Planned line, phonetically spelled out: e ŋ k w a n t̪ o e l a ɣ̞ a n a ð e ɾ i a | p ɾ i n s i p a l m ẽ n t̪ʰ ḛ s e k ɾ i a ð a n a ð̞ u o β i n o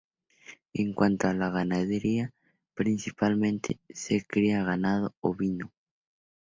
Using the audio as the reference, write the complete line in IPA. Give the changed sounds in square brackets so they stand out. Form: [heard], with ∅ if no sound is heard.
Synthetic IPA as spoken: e ŋ k w a n t̪ o [a] l a ɣ̞ a n a ð e ɾ i a | p ɾ i n s i p a l m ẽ n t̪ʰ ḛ s e k ɾ i a [ɣ] a n a ð̞ [o] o β i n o